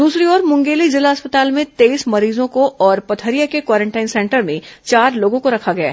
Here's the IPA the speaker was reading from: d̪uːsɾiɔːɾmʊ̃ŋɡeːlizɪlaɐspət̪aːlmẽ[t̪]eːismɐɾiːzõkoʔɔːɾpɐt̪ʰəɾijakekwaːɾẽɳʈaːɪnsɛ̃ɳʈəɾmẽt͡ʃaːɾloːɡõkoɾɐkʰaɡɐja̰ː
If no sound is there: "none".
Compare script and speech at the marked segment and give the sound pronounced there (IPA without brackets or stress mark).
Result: t̪